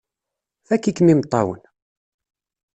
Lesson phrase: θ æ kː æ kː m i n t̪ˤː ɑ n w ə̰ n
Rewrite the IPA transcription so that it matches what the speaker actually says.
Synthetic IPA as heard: θ æ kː i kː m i m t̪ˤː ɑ w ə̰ n